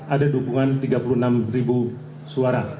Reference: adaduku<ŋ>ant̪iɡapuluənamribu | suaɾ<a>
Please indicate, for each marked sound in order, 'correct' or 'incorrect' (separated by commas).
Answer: correct, correct